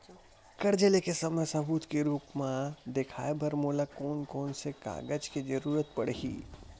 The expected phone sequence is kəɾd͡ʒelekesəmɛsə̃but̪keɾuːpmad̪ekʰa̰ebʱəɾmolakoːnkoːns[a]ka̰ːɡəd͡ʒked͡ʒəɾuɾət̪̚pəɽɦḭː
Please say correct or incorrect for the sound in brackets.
incorrect